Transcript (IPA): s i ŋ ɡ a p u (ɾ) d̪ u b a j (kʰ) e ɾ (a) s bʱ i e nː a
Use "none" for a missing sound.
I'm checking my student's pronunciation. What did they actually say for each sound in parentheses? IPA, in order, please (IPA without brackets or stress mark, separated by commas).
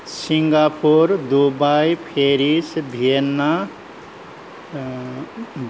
ɾ, pʰ, i